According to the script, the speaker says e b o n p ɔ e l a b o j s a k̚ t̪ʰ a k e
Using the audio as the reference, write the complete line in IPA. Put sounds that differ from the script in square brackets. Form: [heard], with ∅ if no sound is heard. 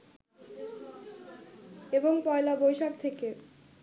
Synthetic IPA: e b o [ŋ] p ɔ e l a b o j [ʃ] a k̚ t̪ʰ [e] k e